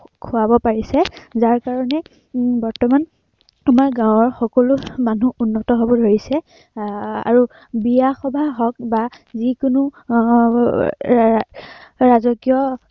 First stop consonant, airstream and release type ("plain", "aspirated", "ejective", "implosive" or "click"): aspirated